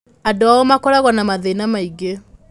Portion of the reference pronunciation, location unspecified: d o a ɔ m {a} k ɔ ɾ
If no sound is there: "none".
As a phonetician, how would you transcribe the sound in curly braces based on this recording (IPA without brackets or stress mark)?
a